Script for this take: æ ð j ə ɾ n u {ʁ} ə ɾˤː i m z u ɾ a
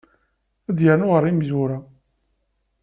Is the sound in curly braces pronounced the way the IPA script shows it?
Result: yes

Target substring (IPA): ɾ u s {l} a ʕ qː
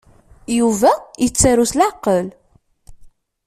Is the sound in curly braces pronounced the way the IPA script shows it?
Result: yes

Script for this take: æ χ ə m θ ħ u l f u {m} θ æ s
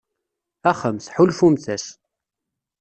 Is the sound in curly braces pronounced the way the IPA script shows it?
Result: yes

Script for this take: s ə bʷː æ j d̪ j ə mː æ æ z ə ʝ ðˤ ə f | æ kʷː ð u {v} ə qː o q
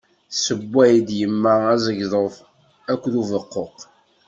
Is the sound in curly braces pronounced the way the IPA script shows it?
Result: yes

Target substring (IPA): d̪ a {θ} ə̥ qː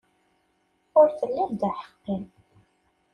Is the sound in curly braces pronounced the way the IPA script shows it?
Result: no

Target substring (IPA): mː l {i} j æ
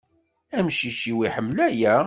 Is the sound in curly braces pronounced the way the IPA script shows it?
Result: no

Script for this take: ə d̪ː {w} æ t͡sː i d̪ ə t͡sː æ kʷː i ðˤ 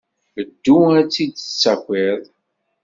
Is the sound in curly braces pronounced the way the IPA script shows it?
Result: no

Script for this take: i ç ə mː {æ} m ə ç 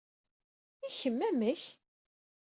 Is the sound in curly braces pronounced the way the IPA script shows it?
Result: yes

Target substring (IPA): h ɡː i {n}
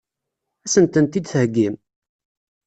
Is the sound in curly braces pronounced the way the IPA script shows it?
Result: no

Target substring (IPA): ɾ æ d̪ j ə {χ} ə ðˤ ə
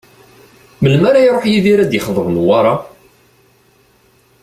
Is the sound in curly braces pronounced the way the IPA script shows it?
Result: yes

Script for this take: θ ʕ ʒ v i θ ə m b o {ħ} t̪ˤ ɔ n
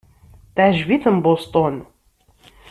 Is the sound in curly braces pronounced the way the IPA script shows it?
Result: no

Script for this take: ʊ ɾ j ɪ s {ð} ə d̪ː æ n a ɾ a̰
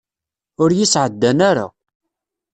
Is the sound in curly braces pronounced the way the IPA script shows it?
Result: no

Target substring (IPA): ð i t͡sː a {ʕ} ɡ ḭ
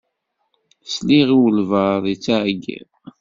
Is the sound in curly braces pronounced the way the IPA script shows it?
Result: yes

